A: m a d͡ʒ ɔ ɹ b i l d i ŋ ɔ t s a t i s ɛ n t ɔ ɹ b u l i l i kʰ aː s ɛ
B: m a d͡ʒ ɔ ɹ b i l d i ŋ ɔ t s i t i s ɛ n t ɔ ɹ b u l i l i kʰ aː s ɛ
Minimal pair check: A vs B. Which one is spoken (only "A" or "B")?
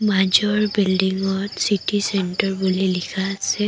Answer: B